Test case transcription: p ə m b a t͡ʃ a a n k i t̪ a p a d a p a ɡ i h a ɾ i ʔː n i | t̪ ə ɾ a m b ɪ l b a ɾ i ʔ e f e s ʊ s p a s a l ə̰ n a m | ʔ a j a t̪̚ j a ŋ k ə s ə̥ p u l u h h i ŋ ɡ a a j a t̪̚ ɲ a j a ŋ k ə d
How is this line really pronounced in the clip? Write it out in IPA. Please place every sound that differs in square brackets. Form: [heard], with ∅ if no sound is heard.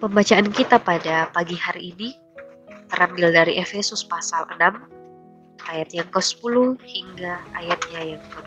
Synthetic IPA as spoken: p ə m b a t͡ʃ a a n k i t̪ a p a d a p a ɡ i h a ɾ i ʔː n i | t̪ ə ɾ a m b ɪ l [d] a ɾ i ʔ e f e s ʊ s p a s a l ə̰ n a m | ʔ a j a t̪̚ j a ŋ k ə s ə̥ p u l u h h i ŋ ɡ a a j a t̪̚ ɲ a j a ŋ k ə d